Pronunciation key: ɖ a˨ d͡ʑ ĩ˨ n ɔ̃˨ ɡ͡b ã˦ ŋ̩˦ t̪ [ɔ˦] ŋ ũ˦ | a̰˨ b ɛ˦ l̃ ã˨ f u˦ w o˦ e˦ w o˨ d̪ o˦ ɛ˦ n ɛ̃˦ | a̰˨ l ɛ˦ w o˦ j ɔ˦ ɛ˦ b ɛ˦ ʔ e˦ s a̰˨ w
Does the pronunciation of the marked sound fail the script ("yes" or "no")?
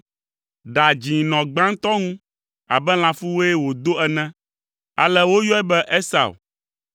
no